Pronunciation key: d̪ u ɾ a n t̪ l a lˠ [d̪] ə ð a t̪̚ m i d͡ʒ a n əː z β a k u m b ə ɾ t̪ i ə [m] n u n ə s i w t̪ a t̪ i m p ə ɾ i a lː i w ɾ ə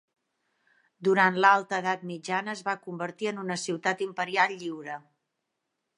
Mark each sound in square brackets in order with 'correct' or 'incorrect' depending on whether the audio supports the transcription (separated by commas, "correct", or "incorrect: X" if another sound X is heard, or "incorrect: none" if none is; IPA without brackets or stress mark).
incorrect: t̪, incorrect: none